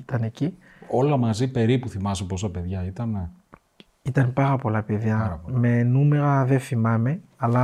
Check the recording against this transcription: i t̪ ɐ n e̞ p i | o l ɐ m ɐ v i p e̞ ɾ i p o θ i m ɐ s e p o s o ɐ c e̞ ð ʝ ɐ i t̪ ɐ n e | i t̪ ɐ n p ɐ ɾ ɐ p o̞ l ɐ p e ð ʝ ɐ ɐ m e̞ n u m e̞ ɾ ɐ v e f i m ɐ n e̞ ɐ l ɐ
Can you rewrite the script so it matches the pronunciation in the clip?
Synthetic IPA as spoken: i t̪ ɐ n e̞ c i | o l ɐ m ɐ z i p e̞ ɾ i p u θ i m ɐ s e p o s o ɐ p e̞ ð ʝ ɐ i t̪ ɐ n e | i t̪ ɐ n p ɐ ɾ ɐ p o̞ l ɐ p e ð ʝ ɐ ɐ m e̞ n u m e̞ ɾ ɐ ð e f i m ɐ m e̞ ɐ l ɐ